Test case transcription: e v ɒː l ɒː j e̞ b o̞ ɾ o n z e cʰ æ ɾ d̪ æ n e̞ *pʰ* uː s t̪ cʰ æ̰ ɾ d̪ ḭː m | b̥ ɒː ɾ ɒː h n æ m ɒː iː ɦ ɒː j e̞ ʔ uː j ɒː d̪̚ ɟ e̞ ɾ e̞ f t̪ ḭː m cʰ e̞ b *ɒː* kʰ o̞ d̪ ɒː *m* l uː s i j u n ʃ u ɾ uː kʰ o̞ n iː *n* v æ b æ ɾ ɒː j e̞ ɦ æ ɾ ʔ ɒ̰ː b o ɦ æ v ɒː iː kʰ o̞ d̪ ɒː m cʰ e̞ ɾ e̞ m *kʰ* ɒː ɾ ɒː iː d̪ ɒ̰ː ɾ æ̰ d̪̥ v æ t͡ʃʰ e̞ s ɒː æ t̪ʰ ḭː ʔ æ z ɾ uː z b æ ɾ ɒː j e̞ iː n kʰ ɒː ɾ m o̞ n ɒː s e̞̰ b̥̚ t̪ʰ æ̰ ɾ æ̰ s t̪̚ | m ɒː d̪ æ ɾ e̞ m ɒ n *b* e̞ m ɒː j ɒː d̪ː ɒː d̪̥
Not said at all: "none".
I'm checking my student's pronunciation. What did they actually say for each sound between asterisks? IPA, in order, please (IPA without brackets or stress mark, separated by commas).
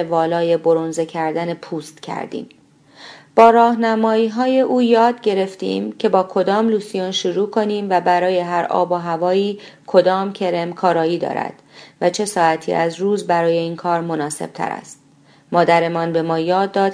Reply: pʰ, ɒː, m, m, kʰ, b